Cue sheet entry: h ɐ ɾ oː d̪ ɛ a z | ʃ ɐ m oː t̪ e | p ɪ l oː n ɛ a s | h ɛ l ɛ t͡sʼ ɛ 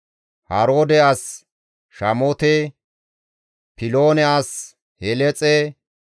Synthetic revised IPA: h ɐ ɾ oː d̪ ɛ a s | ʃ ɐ m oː t̪ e | p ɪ l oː n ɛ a s | h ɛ l ɛ t͡sʼ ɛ